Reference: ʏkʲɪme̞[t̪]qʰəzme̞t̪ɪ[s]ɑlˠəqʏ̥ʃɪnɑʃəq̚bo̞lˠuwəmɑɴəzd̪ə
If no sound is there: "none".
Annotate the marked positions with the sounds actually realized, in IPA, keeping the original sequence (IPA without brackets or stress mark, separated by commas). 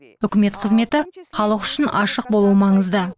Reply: t̪, χ